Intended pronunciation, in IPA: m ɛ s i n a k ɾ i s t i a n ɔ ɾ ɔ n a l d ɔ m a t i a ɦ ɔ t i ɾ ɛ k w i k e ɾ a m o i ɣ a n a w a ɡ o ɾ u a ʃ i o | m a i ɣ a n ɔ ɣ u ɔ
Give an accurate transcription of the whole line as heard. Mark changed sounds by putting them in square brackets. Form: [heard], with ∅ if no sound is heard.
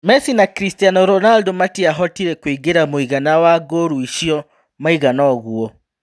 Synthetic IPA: m ɛ s i n a k ɾ i s t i a n ɔ ɾ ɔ n a l d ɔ m a t i a ɦ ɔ t i ɾ ɛ k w i [ɡ] e ɾ a m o i ɣ a n a w a ɡ o ɾ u [i] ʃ i [ɔ] | m a i ɣ a n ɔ ɣ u ɔ